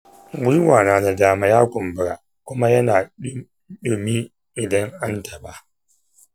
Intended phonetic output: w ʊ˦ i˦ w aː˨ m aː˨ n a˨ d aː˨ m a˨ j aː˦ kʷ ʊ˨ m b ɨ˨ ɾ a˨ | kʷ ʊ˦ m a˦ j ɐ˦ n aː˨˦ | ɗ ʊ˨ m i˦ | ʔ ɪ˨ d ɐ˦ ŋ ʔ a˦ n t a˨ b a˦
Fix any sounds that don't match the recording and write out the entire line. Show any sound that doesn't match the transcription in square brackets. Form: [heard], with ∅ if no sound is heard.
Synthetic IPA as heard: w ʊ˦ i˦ w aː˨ [n] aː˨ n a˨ d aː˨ m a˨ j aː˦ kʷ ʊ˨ m b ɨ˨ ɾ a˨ | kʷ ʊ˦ m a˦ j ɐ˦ n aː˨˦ | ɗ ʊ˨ m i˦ | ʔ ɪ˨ d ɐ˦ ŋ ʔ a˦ n t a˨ b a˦